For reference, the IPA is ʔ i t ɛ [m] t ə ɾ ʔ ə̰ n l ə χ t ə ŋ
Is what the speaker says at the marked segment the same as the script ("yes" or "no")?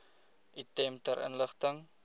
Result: yes